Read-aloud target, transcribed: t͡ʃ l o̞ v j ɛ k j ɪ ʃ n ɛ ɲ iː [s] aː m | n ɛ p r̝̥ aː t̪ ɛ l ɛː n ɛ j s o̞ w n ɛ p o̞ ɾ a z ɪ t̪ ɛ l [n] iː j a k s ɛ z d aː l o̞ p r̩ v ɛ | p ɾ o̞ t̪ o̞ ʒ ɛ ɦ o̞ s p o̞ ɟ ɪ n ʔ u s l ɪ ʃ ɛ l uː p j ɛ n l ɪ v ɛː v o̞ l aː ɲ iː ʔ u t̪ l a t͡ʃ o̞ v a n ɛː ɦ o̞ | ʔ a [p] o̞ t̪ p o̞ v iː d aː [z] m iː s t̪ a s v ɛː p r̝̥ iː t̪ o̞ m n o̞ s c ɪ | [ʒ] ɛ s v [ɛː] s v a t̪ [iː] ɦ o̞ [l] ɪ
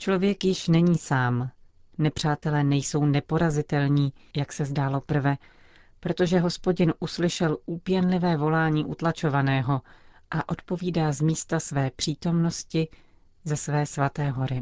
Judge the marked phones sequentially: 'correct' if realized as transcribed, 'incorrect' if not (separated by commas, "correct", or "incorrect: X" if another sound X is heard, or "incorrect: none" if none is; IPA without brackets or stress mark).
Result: correct, incorrect: ɲ, incorrect: ʔ, correct, incorrect: z, correct, incorrect: ɛː, incorrect: ɾ